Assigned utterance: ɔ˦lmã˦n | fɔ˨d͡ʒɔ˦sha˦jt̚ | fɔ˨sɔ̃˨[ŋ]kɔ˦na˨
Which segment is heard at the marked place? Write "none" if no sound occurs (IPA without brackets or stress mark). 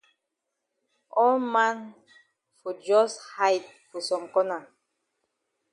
m